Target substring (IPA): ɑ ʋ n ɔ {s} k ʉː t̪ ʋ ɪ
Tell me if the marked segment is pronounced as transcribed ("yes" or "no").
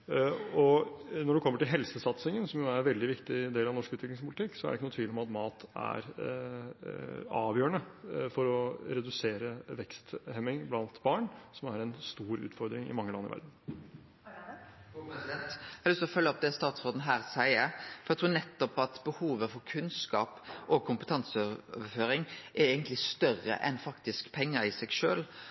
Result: no